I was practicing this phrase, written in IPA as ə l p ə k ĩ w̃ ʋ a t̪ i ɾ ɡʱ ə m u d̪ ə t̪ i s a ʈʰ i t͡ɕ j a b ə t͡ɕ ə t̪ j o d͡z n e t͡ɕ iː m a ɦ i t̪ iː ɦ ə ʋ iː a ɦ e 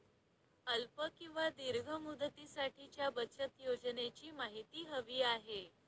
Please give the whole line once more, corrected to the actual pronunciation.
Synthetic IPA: ə l p ə k ĩ w̃ ʋ a d̪ i ɾ ɡʱ ə m u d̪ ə t̪ i s a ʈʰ i t͡ɕ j a b ə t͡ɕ ə t̪ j o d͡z n e t͡ɕ iː m a ɦ i t̪ iː ɦ ə ʋ iː a ɦ e